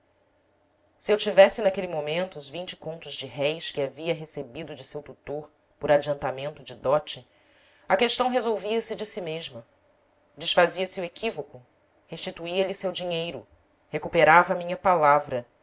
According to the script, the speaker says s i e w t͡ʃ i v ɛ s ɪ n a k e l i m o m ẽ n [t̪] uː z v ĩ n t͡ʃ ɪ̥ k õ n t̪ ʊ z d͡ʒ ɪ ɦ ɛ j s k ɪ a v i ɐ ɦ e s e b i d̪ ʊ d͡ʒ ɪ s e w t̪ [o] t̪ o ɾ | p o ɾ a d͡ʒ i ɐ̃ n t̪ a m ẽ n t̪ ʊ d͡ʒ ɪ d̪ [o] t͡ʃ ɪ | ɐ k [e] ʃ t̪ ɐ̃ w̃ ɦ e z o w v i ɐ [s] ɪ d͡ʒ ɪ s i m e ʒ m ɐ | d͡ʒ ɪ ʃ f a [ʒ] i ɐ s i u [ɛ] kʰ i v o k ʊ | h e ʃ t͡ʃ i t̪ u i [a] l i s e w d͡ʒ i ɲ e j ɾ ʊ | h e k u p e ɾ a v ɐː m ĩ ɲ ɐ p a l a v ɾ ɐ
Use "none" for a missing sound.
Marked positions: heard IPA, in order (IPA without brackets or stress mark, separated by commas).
t̪, u, ɔ, e, s, z, e, ɐ